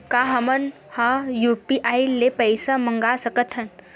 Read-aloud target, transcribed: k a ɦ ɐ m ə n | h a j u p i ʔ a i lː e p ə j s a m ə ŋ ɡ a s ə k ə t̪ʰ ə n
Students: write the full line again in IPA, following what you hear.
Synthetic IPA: k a ɦ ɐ m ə n | h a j u p i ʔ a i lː e p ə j s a m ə ŋ ɡ a s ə k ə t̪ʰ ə n